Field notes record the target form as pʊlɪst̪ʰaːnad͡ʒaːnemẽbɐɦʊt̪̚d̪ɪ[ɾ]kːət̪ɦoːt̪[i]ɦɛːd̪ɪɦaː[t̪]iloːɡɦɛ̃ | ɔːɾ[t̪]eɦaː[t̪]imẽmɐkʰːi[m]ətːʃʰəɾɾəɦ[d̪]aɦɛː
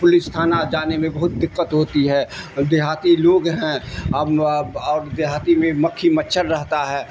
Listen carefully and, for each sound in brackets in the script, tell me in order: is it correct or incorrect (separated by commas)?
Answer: incorrect, correct, correct, incorrect, correct, correct, incorrect